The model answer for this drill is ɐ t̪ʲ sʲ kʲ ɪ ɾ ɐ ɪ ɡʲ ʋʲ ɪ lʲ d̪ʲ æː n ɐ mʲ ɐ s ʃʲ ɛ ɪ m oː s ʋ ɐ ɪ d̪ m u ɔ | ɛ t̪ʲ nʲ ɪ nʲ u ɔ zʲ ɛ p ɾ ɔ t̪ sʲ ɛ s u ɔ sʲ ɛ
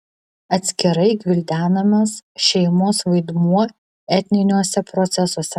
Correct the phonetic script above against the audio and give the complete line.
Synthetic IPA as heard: ɐ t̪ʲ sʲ kʲ ɪ ɾ ɐ ɪ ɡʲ ʋʲ ɪ lʲ d̪ʲ æː n ɐ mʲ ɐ s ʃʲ ɛ ɪ m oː s ʋ ɐ ɪ d̪ m u ɔ | ɛ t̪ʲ nʲ ɪ nʲ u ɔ sʲ ɛ p ɾ ɔ t̪ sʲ ɛ s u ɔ sʲ ɛ

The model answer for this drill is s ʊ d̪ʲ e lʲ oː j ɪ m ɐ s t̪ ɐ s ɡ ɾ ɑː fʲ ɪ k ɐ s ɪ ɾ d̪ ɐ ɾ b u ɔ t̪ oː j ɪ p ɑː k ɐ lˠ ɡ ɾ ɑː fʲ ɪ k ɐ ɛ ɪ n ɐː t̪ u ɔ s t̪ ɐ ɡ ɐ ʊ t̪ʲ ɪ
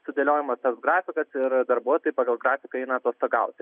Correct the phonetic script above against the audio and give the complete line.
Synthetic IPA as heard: s ʊ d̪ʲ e lʲ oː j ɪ m ɐ s t̪ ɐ s ɡ ɾ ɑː fʲ ɪ k ɐ s ɪ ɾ d̪ ɐ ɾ b u ɔ t̪ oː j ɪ p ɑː ɡ ɐ lˠ ɡ ɾ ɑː fʲ ɪ k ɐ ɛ ɪ n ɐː t̪ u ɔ s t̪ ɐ ɡ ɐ ʊ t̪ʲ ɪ

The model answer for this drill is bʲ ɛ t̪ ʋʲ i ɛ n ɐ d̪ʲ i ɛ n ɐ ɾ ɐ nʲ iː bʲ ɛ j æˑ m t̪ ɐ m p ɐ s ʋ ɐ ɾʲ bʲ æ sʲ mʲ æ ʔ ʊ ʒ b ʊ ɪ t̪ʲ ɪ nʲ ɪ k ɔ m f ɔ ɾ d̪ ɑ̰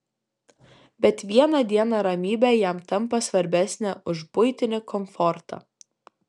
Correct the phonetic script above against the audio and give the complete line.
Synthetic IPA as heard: bʲ ɛ t̪ ʋʲ i ɛ n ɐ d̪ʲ i ɛ n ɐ ɾ ɐ mʲ iː bʲ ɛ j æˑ m t̪ ɐ m p ɐ s ʋ ɐ ɾʲ bʲ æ sʲ nʲ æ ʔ ʊ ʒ b ʊ ɪ t̪ʲ ɪ nʲ ɪ k ɔ m f ɔ ɾ t̪ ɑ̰

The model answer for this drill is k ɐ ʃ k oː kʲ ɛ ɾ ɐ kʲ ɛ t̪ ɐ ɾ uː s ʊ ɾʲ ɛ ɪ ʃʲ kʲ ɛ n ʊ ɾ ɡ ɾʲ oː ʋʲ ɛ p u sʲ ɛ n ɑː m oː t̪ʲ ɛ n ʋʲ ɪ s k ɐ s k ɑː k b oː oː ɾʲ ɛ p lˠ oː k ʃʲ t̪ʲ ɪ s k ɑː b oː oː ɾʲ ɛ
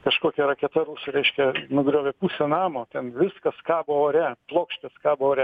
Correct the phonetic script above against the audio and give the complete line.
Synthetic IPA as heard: k ɐ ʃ k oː kʲ ɛ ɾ ɐ kʲ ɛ t̪ ɐ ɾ uː s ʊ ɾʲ ɛ ɪ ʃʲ kʲ ɛ n ʊ ɡ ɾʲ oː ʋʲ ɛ p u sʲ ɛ n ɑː m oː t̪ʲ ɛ n ʋʲ ɪ s k ɐ s k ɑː b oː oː ɾʲ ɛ p lˠ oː k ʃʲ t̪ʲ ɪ s k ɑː b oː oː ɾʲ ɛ

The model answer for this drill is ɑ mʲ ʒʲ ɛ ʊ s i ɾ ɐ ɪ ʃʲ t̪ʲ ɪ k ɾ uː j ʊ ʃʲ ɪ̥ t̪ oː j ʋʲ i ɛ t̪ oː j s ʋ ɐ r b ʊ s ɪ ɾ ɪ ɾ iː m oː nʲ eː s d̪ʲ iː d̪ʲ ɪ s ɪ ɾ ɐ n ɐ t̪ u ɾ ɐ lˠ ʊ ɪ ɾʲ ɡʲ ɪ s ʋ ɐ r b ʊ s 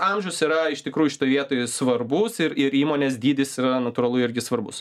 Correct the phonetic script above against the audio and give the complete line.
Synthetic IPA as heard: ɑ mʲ ʒʲ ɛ ʊ s i ɾ ɐ ɪ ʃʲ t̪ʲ ɪ k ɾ uː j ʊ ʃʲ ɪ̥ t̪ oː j ʋʲ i ɛ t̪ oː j s ʋ ɐ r b ʊ s ɪ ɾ ɪ ɾ iː m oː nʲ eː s d̪ʲ iː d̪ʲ ɪ s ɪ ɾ ɐ n ɐ t̪ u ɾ ɐ lˠ ʊ ɪ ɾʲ ɡʲ ɪ s ʋ ɐ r b ʊ s

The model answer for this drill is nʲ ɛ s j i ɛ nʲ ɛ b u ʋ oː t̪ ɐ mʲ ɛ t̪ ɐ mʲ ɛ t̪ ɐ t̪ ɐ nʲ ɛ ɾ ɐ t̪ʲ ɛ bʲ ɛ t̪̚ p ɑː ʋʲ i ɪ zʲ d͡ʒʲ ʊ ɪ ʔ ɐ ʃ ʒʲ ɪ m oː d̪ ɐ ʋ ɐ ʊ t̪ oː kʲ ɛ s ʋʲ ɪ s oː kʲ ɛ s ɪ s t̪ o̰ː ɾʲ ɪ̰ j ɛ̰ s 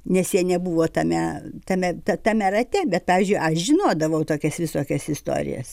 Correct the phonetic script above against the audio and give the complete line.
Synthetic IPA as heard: nʲ ɛ s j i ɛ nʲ ɛ b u ʋ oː t̪ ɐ mʲ ɛ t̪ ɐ mʲ ɛ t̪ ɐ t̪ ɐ mʲ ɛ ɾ ɐ t̪ʲ ɛ bʲ ɛ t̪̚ p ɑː ʋʲ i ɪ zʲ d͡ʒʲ ʊ ɪ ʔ ɐ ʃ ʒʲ ɪ n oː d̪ ɐ ʋ ɐ ʊ t̪ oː kʲ ɛ s ʋʲ ɪ s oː kʲ ɛ s ɪ s t̪ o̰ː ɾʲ ɪ̰ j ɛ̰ s

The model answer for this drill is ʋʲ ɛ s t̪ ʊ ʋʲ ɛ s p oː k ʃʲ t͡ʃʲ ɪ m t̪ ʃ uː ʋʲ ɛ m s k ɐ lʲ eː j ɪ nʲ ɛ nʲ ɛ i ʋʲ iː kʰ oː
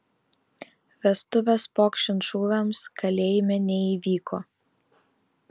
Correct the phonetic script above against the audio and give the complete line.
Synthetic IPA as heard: ʋʲ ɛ s t̪ ʊ ʋʲ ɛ s p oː k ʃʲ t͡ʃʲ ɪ n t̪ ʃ uː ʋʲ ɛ m s k ɐ lʲ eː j ɪ mʲ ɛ nʲ ɛ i ʋʲ iː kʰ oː

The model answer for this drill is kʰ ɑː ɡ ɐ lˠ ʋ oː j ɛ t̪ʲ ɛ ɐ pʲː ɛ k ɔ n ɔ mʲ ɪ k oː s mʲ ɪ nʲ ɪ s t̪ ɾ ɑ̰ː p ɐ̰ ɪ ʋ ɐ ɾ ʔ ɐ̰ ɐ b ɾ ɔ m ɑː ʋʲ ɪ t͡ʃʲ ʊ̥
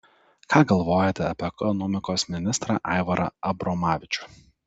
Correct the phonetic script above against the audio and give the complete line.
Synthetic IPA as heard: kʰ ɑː ɡ ɐ lˠ ʋ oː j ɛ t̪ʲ ɛ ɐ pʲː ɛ k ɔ n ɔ mʲ ɪ k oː s mʲ ɪ nʲ ɪ s t̪ ɾ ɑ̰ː ʔ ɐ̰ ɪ ʋ ɐ ɾ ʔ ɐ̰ ɐ b ɾ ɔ m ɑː ʋʲ ɪ t͡ʃʲ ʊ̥

